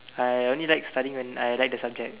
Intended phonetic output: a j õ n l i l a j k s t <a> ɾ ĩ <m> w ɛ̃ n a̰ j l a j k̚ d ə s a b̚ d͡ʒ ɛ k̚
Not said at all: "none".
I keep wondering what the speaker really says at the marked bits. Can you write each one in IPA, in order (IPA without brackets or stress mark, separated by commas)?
a, ŋ